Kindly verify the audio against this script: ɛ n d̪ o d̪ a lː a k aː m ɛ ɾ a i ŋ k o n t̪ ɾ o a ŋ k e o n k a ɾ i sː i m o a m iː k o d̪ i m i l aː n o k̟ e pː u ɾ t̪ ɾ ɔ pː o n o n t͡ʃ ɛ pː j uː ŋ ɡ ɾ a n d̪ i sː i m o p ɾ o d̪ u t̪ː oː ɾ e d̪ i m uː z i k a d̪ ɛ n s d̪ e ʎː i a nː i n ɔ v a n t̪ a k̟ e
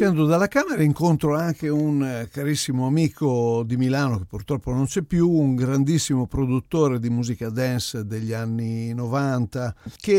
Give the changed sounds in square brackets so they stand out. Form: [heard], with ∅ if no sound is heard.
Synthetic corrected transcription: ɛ n d̪ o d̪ a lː a k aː m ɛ ɾ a i ŋ k o n t̪ ɾ o a ŋ k e [u] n k a ɾ i sː i m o a m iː k o d̪ i m i l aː n o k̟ e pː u ɾ t̪ ɾ ɔ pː o n o n t͡ʃ ɛ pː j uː ŋ ɡ ɾ a n d̪ i sː i m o p ɾ o d̪ u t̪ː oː ɾ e d̪ i m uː z i k a d̪ ɛ n s d̪ e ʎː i a nː i n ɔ v a n t̪ a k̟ e